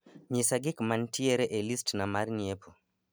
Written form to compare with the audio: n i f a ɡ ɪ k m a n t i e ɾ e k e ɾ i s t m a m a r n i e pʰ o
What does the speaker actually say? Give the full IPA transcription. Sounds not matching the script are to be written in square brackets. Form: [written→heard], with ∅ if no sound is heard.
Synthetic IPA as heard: [n→ɲ] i [f→s] a ɡ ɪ k m a n t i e ɾ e [k→ʔ] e [ɾ→l] i s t [m→n] a m a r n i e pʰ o